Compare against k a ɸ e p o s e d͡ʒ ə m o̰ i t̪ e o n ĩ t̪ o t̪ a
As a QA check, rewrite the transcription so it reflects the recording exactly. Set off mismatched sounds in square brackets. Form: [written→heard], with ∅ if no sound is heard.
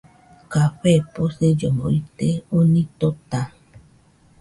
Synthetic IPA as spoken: k a ɸ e p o s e d͡ʒ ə m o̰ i t̪ e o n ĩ t̪ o t̪ a